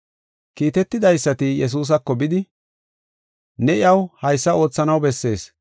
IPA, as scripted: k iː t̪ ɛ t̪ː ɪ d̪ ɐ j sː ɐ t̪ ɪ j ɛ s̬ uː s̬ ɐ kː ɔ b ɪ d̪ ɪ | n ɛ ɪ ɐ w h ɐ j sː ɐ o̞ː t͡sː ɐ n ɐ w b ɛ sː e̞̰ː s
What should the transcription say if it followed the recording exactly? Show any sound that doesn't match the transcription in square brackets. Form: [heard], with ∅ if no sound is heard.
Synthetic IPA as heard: k iː t̪ ɛ t̪ː ɪ d̪ ɐ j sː ɐ t̪ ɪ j ɛ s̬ uː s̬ ɐ kː ɔ b ɪ d̪ ɪ | n ɛ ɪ ɐ w h ɐ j sː ɐ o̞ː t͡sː ɐ n ɐ w b ɛ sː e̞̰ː s